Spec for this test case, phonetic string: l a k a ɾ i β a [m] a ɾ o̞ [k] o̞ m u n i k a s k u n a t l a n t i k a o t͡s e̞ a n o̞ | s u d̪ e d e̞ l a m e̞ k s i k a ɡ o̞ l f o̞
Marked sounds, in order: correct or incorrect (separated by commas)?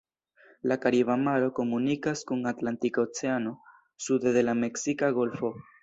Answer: correct, correct